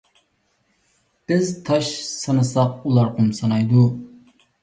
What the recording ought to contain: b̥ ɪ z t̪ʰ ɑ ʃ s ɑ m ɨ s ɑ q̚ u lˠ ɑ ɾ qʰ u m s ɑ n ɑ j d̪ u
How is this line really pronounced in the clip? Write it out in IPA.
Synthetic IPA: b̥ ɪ z t̪ʰ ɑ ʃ s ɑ n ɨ s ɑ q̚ u lˠ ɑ ɾ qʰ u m s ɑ n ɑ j d̪ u